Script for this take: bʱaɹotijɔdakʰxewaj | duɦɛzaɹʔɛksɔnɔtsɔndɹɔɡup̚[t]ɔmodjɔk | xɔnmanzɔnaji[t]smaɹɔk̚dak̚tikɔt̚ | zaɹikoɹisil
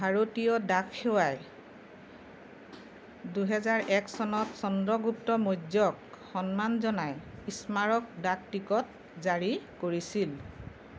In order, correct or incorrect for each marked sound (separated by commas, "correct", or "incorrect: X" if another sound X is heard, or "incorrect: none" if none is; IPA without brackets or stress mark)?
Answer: correct, incorrect: none